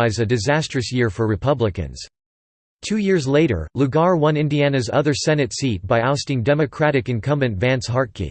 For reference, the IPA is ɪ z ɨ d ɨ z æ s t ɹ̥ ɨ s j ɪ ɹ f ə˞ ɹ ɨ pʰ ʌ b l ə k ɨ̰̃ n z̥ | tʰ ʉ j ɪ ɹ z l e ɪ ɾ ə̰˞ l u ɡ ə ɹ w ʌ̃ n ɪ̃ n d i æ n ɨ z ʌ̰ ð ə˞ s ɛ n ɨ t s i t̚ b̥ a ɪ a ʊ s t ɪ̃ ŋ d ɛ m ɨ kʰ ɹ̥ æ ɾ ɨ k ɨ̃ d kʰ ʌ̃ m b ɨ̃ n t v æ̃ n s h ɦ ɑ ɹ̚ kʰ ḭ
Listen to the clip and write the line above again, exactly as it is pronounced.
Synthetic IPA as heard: ɪ z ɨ d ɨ z æ s t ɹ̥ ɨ s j ɪ ɹ f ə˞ ɹ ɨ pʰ ʌ b l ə k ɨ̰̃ n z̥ | tʰ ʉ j ɪ ɹ z l e ɪ ɾ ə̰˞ l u ɡ ɑ ɹ w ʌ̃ n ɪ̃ n d i æ n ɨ z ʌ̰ ð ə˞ s ɛ n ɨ t s i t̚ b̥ a ɪ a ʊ s t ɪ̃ ŋ d ɛ m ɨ kʰ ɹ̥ æ ɾ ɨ k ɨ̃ n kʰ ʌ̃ m b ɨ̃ n t v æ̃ n s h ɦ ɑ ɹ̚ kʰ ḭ